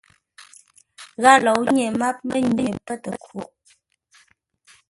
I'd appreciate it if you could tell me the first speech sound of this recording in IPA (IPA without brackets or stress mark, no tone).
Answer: ɣ